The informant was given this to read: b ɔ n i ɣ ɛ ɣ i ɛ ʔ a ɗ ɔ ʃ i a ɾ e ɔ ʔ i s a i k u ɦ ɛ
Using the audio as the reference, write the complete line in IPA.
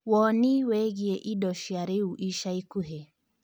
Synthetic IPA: w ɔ n i w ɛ ɣ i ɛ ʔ i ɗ ɔ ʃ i a ɾ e u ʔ i ʃ a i k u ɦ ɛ